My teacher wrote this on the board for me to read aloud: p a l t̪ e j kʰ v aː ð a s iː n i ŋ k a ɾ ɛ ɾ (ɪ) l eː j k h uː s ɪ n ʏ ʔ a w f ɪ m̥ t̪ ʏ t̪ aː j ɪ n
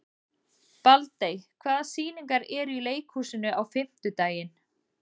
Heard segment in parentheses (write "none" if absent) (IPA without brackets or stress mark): i